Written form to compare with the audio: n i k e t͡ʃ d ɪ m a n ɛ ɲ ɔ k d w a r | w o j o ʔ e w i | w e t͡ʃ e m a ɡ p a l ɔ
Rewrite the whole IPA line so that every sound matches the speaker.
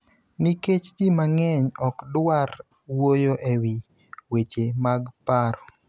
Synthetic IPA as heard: n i k e t͡ʃ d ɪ m a ŋ ɛ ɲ ɔ k d w a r | w o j o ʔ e w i | w e t͡ʃ e m a ɡ p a ɾ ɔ